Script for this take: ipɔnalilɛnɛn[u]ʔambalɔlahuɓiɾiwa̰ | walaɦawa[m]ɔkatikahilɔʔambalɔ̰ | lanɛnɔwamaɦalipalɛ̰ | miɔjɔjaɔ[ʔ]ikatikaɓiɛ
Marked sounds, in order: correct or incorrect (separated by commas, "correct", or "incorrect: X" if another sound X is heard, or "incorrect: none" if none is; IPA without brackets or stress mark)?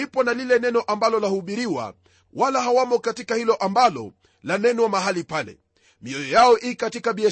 incorrect: ɔ, correct, correct